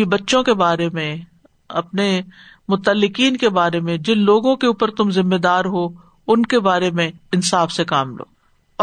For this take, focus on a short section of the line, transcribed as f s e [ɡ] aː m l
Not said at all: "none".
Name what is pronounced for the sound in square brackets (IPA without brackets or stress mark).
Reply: k